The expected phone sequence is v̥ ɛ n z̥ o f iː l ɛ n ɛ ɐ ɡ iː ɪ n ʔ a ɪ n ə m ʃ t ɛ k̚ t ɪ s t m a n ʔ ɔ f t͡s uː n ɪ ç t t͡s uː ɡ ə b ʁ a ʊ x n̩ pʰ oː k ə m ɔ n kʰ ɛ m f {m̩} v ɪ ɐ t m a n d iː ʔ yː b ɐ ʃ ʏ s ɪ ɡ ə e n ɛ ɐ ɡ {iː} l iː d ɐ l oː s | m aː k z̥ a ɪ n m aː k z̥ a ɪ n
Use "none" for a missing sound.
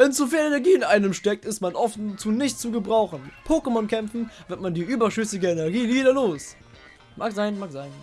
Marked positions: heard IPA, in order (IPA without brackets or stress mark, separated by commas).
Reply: n̩, iː